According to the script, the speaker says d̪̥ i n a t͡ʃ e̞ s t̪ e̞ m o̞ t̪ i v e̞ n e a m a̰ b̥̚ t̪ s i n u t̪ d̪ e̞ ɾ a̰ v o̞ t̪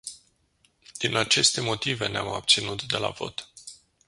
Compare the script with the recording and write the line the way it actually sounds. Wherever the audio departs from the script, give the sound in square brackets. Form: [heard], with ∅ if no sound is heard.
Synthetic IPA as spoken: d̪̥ i n a t͡ʃ e̞ s t̪ e̞ m o̞ t̪ i v e̞ n e a m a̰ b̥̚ t̪ s i n u t̪ d̪ e̞ [l] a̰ v o̞ t̪

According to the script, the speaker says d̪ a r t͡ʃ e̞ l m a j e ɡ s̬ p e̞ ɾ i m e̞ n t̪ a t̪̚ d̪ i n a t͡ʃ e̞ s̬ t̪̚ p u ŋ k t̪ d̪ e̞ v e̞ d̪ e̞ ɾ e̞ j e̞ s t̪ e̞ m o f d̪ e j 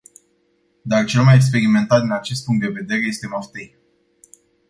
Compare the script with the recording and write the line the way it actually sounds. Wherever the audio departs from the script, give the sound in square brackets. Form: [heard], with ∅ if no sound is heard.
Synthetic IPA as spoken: d̪ a r t͡ʃ e̞ l m a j e [k] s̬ p e̞ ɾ i m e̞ n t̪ a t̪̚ d̪ i n a t͡ʃ e̞ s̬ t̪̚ p u ŋ k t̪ d̪ e̞ v e̞ d̪ e̞ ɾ e̞ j e̞ s t̪ e̞ m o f [t̪] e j

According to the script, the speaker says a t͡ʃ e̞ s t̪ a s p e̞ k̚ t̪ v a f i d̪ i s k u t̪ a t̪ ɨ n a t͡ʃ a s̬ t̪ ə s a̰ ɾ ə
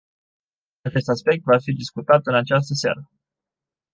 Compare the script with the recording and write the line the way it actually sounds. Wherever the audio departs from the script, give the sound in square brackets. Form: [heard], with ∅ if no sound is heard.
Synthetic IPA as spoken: a t͡ʃ e̞ s t̪ a s p e̞ k̚ t̪ v a f i d̪ i s k u t̪ a t̪ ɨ n a t͡ʃ a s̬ t̪ ə s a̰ ɾ ə

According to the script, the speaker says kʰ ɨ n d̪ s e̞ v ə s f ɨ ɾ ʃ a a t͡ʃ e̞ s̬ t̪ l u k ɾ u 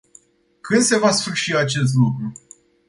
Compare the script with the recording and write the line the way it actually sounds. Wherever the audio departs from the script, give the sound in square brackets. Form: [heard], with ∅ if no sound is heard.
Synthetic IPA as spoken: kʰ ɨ n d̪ s e̞ v [a] s f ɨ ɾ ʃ [i] a t͡ʃ e̞ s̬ t̪ l u k ɾ u

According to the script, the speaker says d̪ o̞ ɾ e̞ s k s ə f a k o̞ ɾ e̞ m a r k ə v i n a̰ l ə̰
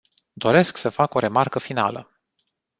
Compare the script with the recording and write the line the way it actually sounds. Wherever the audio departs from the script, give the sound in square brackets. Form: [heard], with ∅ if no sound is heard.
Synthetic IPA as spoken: d̪ o̞ ɾ e̞ s k s ə f a k o̞ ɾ e̞ m a r k ə [f] i n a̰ l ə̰

